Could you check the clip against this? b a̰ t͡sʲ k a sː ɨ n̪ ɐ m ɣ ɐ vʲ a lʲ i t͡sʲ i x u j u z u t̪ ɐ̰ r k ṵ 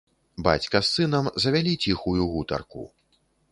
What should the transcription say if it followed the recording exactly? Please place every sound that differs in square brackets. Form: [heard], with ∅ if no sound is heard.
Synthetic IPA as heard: b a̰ t͡sʲ k [ɐ] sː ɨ n̪ ɐ m [z] ɐ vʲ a lʲ i t͡sʲ i x u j u [ɣ] u t̪ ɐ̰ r k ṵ